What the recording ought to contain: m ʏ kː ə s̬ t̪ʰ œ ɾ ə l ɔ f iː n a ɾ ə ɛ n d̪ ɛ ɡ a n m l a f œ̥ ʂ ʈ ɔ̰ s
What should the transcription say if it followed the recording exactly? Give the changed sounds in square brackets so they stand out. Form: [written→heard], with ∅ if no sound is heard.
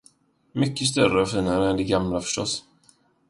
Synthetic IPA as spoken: m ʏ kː ə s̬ [t̪ʰ→t̪] œ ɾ ə [l→∅] ɔ f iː n a ɾ ə ɛ n d̪ ɛ ɡ a [n→∅] m l a f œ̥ ʂ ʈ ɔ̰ s